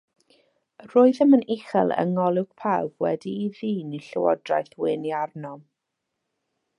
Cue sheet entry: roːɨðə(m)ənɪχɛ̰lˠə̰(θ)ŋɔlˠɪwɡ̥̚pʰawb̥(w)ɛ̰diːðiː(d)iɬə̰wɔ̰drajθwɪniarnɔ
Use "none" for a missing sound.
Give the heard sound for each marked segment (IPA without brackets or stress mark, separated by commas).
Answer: m, none, w, n